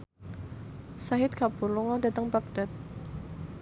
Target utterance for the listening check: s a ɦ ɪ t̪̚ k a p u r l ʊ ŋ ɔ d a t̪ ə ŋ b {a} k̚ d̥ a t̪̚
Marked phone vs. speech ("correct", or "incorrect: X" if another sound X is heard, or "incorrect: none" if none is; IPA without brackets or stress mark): correct